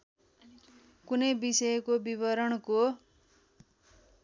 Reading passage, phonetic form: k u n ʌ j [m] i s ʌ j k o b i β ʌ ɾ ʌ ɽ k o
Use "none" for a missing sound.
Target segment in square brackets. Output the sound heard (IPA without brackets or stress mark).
b